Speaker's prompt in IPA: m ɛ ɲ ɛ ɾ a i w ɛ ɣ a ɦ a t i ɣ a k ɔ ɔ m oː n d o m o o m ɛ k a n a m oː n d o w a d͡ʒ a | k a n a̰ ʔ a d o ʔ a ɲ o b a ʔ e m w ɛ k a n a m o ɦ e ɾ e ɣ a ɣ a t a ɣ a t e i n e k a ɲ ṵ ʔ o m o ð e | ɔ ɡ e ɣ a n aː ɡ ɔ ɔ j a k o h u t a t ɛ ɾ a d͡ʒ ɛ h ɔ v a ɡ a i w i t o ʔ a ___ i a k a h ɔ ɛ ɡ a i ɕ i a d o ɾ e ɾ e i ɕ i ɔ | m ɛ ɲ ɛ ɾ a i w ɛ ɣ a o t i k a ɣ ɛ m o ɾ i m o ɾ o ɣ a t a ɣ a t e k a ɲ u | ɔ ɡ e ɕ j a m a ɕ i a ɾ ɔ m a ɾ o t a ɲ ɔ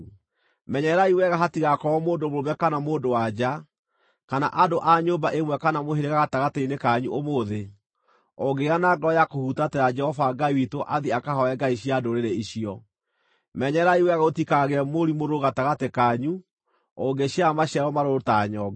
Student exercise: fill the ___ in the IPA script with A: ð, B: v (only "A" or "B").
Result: A